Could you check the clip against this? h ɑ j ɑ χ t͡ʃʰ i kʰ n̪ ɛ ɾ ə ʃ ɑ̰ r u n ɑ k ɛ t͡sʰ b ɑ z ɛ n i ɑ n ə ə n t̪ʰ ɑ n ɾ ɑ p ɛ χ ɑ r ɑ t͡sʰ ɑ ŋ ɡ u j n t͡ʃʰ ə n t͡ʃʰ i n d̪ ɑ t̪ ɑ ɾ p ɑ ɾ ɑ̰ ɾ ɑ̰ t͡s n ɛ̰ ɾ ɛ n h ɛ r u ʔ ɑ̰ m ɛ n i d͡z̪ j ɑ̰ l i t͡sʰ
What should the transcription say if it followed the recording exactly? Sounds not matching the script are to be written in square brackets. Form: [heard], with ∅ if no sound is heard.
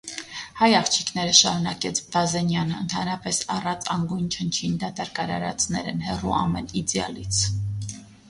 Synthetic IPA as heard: h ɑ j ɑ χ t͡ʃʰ i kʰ n̪ ɛ ɾ ə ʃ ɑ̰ [ɾ] u n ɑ k ɛ t͡sʰ b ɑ z ɛ n [j] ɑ n ə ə n t̪ʰ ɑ n ɾ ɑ p ɛ [s] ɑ r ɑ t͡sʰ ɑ ŋ ɡ u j n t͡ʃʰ ə n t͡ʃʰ i n d̪ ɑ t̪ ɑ ɾ [k] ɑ ɾ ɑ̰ ɾ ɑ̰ t͡s n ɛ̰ ɾ ɛ n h ɛ r u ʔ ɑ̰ m ɛ n i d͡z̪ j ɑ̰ l i t͡sʰ